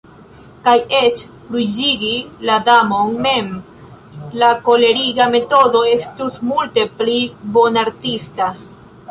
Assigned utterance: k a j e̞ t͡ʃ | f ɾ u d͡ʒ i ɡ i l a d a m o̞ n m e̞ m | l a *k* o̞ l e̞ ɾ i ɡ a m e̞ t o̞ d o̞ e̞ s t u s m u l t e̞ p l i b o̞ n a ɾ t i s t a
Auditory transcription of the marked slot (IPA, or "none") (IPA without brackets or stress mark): k